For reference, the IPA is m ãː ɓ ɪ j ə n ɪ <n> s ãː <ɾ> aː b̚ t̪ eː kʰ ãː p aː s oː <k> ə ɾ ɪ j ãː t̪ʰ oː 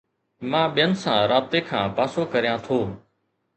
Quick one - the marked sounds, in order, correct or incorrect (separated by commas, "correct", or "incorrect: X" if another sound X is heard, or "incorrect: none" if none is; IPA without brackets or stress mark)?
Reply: incorrect: none, correct, correct